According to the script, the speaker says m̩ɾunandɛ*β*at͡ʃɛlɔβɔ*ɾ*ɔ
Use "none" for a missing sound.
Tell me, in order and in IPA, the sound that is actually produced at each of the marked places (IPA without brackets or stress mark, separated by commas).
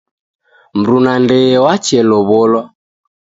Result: w, l